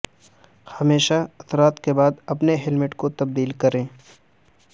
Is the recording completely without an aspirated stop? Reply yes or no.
yes